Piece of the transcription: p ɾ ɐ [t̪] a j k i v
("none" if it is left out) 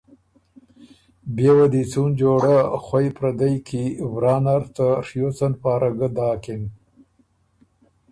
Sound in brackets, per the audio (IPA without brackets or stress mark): d̪